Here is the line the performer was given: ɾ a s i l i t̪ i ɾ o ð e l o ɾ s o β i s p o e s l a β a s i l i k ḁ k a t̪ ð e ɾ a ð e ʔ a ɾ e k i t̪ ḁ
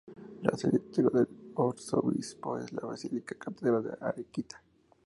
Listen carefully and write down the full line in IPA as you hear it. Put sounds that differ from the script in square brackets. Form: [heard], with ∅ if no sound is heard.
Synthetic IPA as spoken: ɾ a s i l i t̪ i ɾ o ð e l o ɾ s o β i s p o e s l a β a s i l i k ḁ k a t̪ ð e ɾ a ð e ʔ a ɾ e k i t̪ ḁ